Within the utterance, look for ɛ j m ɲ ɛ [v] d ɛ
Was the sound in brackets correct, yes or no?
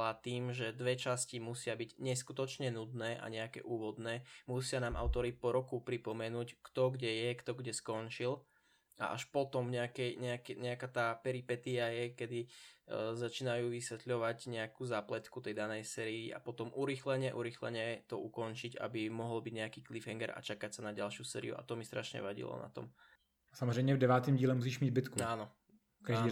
yes